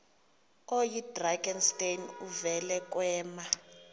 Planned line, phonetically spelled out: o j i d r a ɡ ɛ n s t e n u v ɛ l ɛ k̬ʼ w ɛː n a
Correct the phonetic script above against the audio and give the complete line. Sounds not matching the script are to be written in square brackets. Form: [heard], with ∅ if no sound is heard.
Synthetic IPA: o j i d r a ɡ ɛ n s t e n u v ɛ l ɛ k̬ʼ w ɛː [m] a